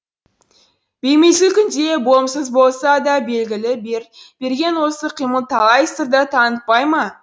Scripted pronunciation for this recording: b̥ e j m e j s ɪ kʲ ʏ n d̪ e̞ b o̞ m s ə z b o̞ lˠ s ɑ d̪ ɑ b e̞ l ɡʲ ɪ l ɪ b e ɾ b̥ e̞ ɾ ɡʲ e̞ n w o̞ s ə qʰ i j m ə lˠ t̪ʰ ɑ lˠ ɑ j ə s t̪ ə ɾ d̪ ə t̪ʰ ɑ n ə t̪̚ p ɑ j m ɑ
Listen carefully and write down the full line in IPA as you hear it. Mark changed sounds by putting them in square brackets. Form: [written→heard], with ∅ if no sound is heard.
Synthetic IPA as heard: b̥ e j m e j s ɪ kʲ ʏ n d̪ e̞ b o̞ m s ə z b o̞ lˠ s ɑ d̪ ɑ b e̞ l ɡʲ ɪ l ɪ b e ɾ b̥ e̞ ɾ ɡʲ e̞ n w o̞ s ə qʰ i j m ə lˠ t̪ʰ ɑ lˠ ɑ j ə s t̪ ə ɾ d̪ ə t̪ʰ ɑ n ə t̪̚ p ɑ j m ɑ

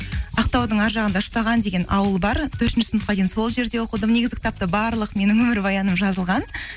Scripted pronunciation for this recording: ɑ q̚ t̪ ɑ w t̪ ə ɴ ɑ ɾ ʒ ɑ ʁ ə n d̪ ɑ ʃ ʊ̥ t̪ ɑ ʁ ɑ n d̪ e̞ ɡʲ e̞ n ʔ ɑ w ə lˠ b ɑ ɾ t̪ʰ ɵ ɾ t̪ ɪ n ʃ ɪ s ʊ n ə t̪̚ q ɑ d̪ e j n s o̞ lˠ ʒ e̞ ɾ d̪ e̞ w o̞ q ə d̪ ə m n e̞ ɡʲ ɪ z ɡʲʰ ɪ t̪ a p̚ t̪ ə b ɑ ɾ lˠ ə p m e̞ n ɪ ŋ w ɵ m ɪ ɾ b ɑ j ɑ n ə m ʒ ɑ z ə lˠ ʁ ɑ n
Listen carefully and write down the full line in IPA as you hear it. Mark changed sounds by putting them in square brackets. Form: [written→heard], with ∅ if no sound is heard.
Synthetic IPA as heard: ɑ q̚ t̪ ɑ w [t̪→d̪] ə ɴ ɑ ɾ ʒ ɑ ʁ ə n d̪ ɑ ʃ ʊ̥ t̪ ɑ ʁ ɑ n d̪ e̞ ɡʲ e̞ n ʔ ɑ w ə lˠ b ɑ ɾ t̪ʰ ɵ ɾ t̪ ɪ n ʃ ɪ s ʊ n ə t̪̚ q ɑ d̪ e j n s o̞ lˠ ʒ e̞ ɾ d̪ e̞ w o̞ q ə d̪ ə m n e̞ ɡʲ ɪ z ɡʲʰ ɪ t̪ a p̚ t̪ ə b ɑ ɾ lˠ ə [p→q] m e̞ n ɪ ŋ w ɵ m ɪ ɾ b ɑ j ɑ n ə m ʒ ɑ z ə lˠ ʁ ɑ n

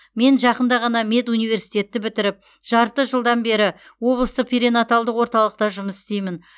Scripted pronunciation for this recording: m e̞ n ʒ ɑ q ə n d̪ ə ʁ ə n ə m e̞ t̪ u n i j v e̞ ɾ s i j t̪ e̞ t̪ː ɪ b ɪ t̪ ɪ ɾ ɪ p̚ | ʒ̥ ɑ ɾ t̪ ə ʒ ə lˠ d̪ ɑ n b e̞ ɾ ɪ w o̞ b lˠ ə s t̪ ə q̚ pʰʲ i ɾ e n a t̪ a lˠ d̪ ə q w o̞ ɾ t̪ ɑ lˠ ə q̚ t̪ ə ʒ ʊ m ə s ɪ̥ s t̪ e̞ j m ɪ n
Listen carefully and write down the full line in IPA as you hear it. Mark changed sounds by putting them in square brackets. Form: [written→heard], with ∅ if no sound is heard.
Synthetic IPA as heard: m e̞ n ʒ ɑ q ə n d̪ [ə→ɑ] ʁ [ə→ɑ] n [ə→ɑ] m e̞ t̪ u n i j v e̞ ɾ s i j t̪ e̞ t̪ː ɪ b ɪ t̪ ɪ ɾ ɪ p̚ | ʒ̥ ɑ ɾ t̪ ə ʒ ə lˠ d̪ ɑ n b e̞ ɾ ɪ w o̞ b lˠ ə s t̪ ə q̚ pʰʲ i ɾ e n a t̪ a lˠ d̪ ə q w o̞ ɾ t̪ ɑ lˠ ə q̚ t̪ [ə→ɑ] ʒ ʊ m ə s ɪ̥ s t̪ e̞ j m ɪ n

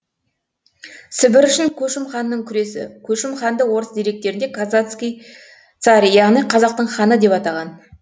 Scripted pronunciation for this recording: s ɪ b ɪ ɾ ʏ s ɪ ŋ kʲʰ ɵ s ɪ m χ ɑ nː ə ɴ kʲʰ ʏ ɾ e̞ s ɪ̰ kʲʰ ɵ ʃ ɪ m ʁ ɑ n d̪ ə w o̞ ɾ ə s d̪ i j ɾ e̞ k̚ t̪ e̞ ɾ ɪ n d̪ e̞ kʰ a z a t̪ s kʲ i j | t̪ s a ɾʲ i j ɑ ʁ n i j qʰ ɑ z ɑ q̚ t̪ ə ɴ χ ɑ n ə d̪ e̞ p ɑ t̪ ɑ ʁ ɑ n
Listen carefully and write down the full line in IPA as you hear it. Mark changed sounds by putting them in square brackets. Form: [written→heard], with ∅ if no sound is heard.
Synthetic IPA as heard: s ɪ b ɪ ɾ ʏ [s→ʃ] ɪ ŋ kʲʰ ɵ [s→ʃ] ɪ m χ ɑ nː ə ɴ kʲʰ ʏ ɾ e̞ s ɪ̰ kʲʰ ɵ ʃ ɪ m [ʁ→χ] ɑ n d̪ ə w o̞ ɾ ə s d̪ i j ɾ e̞ k̚ t̪ e̞ ɾ ɪ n d̪ e̞ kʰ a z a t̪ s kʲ i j | t̪ s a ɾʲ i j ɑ ʁ n i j qʰ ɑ z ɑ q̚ t̪ ə ɴ χ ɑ n ə d̪ e̞ p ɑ t̪ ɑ ʁ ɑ n

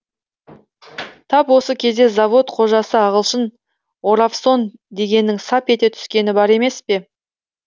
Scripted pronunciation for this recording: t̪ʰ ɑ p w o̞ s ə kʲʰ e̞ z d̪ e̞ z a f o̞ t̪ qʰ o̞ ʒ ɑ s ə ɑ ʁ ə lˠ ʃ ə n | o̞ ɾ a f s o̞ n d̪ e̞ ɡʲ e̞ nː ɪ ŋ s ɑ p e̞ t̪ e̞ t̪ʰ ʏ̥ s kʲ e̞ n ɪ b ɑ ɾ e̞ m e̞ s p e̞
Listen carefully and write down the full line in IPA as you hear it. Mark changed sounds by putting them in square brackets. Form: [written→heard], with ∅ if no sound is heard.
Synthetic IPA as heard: t̪ʰ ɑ p w o̞ s ə kʲʰ e̞ z d̪ e̞ z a [f→v] o̞ t̪ qʰ o̞ ʒ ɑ s ə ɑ ʁ ə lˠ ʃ ə n | o̞ ɾ a f s o̞ n d̪ e̞ ɡʲ e̞ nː ɪ ŋ s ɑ p e̞ t̪ e̞ t̪ʰ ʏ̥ s kʲ e̞ n ɪ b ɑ ɾ e̞ m e̞ s p e̞

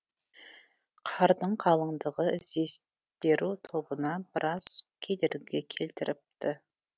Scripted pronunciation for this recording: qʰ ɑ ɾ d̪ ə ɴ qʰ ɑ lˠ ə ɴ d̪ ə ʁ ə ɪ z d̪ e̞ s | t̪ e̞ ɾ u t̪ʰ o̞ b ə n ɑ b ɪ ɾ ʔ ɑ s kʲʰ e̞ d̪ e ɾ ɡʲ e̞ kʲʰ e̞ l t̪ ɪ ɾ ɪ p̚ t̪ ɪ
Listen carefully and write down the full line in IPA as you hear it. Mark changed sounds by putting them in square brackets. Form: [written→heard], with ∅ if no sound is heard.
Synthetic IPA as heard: qʰ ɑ ɾ d̪ ə ɴ qʰ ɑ lˠ ə ɴ d̪ ə ʁ ə ɪ z d̪ e̞ s | t̪ e̞ ɾ u t̪ʰ o̞ b ə n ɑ b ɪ ɾ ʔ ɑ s kʲʰ e̞ d̪ e ɾ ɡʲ e̞ kʲʰ e̞ l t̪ ɪ ɾ ɪ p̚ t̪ ɪ

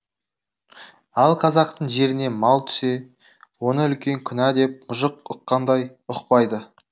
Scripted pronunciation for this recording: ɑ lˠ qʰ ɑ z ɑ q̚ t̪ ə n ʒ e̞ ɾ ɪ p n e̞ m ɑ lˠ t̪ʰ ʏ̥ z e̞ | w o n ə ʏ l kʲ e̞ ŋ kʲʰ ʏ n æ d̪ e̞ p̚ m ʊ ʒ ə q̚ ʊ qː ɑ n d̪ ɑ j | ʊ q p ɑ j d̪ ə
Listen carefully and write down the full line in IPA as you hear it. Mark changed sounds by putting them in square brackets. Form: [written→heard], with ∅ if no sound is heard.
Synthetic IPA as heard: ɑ lˠ qʰ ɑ z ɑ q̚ t̪ ə [n→ɴ] ʒ e̞ ɾ ɪ [p→∅] n e̞ m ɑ lˠ t̪ʰ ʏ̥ [z→s] e̞ | w o n ə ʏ l kʲ e̞ ŋ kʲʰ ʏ n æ d̪ e̞ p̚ m ʊ ʒ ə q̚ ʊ qː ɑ n d̪ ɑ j | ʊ q p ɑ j d̪ ə

